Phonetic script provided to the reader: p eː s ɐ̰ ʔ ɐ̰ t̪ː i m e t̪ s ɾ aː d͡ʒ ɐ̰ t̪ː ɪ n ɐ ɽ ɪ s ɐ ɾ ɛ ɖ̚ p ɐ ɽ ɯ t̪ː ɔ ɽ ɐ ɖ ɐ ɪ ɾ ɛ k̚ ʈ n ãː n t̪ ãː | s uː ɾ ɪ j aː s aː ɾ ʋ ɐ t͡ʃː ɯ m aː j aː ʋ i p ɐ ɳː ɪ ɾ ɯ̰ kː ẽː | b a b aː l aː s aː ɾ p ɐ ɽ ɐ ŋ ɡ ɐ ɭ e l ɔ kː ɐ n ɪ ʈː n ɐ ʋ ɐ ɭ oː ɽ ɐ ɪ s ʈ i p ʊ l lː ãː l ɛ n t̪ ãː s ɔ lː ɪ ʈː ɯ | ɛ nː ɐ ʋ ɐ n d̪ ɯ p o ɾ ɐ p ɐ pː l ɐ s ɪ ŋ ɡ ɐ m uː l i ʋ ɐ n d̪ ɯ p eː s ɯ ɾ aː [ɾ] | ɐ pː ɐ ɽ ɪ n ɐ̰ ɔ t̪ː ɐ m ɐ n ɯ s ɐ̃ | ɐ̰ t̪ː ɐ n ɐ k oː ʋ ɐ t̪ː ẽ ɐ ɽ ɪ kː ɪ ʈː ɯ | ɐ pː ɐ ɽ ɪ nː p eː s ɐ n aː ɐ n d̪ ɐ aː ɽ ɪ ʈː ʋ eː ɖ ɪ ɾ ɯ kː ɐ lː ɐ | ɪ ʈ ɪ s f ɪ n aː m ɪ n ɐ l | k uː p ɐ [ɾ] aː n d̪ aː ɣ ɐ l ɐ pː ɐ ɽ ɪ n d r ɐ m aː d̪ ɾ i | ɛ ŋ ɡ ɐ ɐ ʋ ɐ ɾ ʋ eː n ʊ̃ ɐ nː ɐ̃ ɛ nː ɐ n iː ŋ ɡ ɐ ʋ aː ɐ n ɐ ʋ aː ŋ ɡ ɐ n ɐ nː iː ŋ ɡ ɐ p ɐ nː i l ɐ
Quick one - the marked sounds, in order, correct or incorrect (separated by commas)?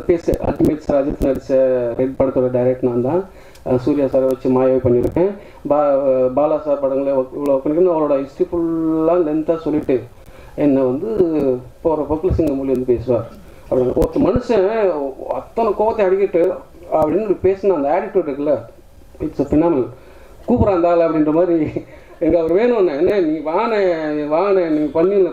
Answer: correct, correct